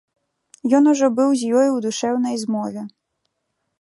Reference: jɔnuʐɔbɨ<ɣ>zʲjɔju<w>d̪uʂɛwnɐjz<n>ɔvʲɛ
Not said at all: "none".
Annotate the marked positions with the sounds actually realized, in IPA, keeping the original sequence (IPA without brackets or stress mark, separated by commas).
w, w, m